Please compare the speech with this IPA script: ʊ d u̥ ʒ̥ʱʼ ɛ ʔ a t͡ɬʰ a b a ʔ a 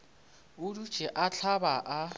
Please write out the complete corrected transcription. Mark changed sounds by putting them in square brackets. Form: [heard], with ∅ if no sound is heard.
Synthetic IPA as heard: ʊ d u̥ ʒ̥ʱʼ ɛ ʔ a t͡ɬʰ a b a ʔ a